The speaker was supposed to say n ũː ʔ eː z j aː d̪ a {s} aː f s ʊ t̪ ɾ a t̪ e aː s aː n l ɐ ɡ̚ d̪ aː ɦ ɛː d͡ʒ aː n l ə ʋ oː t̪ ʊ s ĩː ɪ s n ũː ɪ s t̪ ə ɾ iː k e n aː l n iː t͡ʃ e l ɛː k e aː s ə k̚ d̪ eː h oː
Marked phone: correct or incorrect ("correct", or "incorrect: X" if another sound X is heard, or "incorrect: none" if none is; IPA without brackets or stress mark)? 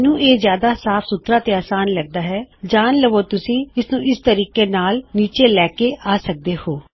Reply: correct